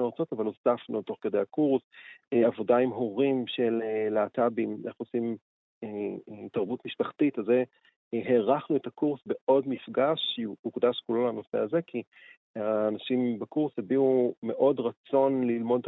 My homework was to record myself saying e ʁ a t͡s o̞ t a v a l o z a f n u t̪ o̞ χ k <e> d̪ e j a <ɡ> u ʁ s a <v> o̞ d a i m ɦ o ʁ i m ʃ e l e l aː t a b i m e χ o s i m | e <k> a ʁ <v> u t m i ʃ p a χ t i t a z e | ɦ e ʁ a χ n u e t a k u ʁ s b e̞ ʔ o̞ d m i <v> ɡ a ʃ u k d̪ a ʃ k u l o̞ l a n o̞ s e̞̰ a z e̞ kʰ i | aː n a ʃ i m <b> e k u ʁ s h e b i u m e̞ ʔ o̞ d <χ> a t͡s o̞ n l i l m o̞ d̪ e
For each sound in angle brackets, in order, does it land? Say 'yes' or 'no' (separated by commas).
yes, no, yes, no, no, no, yes, no